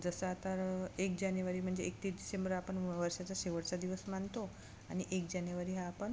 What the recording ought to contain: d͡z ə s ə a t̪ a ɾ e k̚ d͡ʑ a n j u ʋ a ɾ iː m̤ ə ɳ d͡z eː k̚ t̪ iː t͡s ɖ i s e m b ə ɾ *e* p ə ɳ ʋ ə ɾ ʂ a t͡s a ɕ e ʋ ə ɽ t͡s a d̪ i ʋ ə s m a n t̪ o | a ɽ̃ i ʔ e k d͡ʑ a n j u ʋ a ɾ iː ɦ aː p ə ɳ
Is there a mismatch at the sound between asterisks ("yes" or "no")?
yes